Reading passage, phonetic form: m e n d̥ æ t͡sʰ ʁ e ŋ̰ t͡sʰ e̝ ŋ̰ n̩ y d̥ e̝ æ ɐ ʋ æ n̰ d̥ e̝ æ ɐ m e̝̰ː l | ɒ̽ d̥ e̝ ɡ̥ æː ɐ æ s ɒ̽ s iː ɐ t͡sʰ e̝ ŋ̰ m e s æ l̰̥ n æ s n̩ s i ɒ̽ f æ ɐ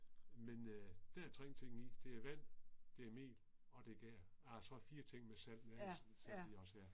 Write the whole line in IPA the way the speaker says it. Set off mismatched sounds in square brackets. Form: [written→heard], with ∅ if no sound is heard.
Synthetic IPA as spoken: m e n d̥ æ t͡sʰ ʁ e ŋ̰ t͡sʰ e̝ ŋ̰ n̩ [y→i] d̥ e̝ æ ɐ ʋ æ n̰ d̥ e̝ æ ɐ m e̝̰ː l | ɒ̽ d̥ e̝ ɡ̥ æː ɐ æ s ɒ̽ [s→f] iː ɐ t͡sʰ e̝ ŋ̰ m e s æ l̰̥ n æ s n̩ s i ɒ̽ [f→s] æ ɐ